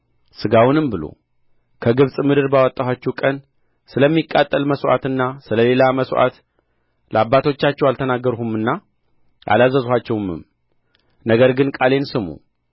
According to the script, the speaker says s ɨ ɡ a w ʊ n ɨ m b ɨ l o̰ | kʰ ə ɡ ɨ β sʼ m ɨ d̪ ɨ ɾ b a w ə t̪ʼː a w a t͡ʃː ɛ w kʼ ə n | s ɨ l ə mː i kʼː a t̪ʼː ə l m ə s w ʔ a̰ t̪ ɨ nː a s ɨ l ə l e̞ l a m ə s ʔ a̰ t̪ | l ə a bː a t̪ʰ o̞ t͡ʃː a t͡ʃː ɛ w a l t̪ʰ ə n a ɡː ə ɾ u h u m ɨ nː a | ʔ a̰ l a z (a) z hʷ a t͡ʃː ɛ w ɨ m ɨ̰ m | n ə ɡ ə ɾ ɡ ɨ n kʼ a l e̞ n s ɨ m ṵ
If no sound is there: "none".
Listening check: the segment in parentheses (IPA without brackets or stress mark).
ə